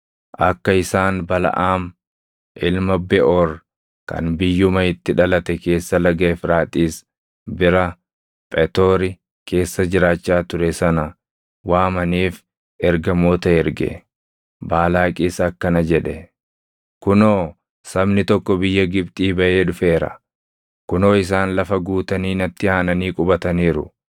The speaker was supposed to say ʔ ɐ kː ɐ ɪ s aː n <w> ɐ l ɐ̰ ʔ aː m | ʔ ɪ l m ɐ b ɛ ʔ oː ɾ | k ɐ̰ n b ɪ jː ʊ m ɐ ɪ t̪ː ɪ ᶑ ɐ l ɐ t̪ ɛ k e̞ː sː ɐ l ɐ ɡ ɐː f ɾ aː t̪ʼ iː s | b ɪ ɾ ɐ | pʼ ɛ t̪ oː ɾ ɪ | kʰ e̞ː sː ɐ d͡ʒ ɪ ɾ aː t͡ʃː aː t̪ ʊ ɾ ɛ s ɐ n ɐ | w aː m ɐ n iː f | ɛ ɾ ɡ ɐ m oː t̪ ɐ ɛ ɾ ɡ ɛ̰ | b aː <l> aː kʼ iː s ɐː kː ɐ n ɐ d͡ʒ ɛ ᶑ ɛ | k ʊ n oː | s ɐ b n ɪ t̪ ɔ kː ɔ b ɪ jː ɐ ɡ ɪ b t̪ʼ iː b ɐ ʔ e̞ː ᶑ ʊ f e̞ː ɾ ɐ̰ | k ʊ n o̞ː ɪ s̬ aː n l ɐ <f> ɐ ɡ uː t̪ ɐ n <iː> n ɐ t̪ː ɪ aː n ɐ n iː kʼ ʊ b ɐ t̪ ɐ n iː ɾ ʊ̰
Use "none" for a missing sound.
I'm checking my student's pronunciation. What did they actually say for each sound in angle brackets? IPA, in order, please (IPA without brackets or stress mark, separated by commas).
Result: b, l, f, iː